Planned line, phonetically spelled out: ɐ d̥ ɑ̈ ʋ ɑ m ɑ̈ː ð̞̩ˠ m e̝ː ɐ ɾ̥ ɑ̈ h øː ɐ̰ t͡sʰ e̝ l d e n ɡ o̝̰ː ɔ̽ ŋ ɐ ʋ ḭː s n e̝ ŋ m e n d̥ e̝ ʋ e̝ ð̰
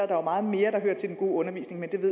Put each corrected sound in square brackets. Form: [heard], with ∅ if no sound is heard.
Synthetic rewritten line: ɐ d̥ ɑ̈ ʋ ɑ m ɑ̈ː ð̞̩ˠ m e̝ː ɐ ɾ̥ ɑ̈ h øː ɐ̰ t͡sʰ e̝ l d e n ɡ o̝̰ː ɔ̽ [n] ɐ ʋ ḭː s n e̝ ŋ m e n d̥ e̝ ʋ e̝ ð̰